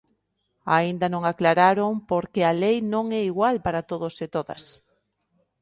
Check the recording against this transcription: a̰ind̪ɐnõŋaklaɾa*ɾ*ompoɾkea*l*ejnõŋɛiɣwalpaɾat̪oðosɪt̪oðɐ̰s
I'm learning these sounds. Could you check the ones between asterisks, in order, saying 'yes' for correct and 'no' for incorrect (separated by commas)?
yes, yes